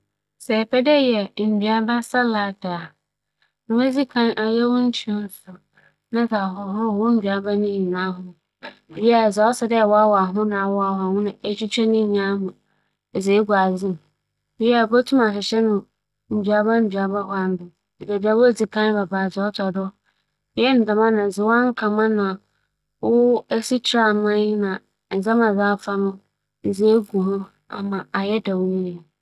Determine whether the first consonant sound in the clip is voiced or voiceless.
voiceless